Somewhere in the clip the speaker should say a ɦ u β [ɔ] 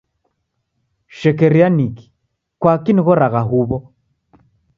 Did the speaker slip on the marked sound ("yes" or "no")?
no